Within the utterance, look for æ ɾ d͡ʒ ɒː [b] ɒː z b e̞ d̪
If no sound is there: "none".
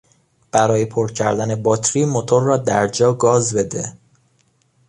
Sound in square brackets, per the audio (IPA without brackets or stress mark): ɡ